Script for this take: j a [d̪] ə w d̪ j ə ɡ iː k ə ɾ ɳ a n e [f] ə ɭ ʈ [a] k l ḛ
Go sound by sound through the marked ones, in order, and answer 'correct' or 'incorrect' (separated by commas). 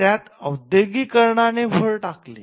incorrect, correct, correct